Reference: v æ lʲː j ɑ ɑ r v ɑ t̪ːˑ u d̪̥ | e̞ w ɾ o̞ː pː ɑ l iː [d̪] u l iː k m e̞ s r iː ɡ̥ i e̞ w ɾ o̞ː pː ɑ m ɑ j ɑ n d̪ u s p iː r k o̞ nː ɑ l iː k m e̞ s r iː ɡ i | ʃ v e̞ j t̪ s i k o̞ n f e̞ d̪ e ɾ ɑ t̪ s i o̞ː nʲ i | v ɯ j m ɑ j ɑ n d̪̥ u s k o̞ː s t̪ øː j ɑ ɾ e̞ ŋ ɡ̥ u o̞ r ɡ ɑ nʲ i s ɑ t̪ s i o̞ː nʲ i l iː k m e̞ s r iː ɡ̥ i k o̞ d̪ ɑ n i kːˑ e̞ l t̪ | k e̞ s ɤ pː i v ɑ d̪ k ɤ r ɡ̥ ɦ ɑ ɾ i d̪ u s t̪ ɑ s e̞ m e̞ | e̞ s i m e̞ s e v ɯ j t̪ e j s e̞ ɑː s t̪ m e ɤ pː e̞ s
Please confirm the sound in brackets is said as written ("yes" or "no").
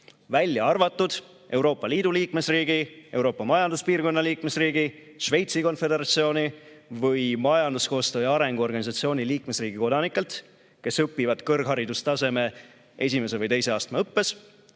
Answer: yes